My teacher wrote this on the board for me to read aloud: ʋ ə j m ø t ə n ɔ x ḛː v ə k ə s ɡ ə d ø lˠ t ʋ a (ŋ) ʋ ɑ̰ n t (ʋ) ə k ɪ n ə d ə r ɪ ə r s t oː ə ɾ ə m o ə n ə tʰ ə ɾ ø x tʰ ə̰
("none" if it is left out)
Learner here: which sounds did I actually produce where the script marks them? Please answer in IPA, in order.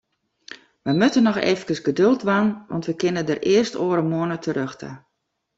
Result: n, ʋ

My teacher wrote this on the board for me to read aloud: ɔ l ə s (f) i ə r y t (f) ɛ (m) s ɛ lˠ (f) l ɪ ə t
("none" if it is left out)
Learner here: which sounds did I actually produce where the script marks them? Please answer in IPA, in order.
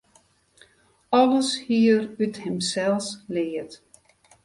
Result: h, h, m, s

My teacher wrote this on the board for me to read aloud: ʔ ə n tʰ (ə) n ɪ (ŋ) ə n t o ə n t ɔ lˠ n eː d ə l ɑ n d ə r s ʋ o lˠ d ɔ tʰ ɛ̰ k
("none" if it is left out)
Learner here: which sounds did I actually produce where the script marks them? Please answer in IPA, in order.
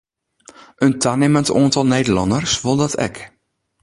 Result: a, m

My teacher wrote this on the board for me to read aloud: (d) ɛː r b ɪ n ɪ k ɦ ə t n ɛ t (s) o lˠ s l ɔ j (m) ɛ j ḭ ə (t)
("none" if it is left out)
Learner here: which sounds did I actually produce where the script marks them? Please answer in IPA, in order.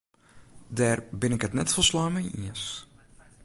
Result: d, f, m, s

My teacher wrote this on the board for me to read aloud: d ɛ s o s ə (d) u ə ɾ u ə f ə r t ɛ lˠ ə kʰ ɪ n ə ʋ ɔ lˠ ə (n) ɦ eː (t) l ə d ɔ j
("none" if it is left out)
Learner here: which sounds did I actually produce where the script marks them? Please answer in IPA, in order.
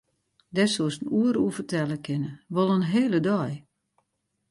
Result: n, n, none

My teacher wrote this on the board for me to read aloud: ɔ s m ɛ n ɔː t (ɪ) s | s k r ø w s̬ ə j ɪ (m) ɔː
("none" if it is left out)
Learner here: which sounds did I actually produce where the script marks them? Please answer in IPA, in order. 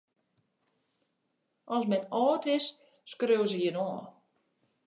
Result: ɪ, n

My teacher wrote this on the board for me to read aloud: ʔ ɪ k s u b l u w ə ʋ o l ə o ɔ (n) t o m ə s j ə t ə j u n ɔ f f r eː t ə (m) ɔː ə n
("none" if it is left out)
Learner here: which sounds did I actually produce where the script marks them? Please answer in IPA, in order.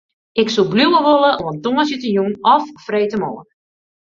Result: n, m

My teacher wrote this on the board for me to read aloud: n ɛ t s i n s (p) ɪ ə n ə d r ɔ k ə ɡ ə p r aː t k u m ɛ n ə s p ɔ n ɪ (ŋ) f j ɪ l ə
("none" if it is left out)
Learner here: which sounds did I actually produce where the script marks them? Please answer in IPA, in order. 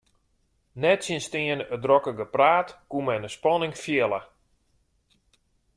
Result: t, ŋ

